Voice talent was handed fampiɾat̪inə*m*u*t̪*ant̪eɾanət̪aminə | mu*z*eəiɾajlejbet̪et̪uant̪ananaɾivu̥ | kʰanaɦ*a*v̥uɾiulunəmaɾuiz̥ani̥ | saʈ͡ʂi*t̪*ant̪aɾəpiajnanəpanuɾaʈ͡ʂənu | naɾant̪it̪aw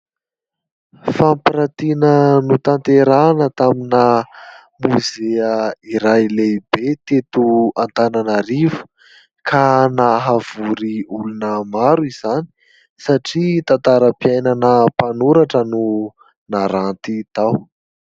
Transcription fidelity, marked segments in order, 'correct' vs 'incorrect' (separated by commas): incorrect, correct, correct, correct, correct